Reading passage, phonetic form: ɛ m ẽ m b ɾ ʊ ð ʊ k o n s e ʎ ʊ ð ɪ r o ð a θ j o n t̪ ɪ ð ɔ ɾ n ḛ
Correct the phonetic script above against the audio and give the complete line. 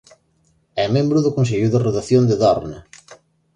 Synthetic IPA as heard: ɛ m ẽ m b ɾ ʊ ð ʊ k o n s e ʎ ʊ ð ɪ r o ð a θ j o n d̪ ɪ ð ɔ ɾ n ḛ